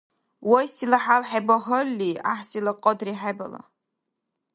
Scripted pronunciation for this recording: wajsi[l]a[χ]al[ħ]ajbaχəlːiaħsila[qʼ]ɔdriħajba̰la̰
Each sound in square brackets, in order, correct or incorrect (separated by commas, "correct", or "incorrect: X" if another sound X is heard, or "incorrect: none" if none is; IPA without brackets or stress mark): correct, incorrect: ħ, correct, correct